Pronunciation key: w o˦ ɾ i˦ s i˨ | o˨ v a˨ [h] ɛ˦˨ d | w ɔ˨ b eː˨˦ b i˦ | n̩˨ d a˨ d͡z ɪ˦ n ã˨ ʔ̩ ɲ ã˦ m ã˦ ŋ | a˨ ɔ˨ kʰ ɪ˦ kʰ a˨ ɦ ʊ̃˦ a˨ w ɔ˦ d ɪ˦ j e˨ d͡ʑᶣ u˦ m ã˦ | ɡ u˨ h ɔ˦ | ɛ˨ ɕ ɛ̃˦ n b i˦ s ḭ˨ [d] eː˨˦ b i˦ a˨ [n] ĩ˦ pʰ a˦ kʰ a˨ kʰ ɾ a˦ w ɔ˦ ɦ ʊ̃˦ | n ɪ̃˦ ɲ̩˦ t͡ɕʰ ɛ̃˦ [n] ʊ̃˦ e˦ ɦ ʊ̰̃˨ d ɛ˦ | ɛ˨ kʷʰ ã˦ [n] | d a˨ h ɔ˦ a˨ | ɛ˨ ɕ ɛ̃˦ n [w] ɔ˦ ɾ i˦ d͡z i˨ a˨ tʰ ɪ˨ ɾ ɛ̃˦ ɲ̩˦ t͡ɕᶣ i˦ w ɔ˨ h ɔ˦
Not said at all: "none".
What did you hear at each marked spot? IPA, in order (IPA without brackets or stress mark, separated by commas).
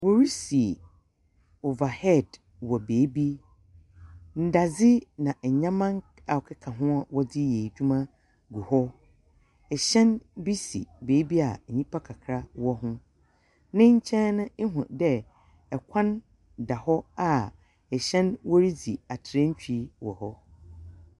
h, b, ɲ, n, n, w